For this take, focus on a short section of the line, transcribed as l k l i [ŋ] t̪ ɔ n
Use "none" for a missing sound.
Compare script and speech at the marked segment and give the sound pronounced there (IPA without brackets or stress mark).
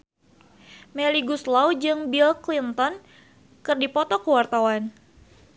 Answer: n